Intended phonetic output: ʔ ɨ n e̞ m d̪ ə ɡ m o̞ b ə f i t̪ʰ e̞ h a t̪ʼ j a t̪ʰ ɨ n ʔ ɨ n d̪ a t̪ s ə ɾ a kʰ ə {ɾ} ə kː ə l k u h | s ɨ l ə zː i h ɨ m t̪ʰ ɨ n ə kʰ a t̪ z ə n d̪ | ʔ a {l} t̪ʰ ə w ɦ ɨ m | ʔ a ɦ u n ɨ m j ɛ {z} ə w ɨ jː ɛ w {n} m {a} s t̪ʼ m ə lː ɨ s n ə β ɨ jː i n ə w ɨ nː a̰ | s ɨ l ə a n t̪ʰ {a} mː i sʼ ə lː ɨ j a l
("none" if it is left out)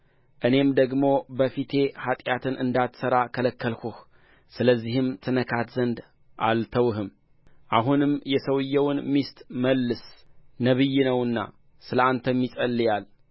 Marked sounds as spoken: l, l, s, n, i, ə

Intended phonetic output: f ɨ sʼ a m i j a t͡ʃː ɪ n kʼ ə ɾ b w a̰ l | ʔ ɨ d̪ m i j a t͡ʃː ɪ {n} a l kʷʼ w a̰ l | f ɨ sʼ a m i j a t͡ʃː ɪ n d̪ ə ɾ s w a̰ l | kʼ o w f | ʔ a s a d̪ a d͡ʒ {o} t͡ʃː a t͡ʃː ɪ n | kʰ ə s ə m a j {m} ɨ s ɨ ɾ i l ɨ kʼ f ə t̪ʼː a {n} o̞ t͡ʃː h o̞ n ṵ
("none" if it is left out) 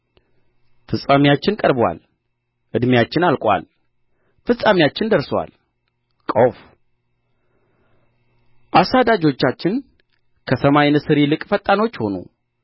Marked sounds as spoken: n, o, n, n

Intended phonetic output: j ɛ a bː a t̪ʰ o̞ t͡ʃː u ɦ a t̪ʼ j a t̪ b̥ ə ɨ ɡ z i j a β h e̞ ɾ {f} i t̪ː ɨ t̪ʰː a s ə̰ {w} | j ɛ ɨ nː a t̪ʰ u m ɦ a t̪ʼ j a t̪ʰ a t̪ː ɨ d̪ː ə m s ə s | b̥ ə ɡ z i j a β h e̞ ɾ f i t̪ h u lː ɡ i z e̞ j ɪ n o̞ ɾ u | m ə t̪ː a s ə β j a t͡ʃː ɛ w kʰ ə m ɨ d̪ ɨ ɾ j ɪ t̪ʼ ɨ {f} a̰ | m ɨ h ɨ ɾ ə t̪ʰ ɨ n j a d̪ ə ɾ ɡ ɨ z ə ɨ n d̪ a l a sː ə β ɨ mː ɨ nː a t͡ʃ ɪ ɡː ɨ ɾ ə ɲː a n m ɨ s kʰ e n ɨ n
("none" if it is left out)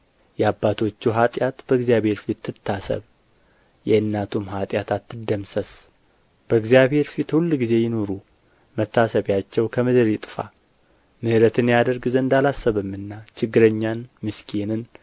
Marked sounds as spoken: f, β, f

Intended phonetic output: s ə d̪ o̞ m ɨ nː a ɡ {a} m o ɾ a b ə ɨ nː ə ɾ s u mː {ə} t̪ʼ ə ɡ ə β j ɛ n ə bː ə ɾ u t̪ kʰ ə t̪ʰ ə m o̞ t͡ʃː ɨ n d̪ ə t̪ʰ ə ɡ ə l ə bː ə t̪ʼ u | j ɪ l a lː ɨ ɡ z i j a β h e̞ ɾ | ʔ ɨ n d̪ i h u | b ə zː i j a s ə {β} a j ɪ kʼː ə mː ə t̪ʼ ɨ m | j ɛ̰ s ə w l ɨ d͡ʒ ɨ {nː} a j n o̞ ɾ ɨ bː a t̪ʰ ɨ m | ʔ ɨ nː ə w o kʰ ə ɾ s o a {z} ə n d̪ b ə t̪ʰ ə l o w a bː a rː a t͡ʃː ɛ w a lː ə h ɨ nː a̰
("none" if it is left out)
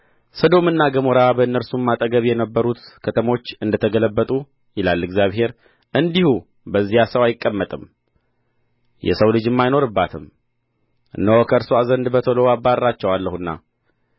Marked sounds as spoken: ə, a, w, mː, z

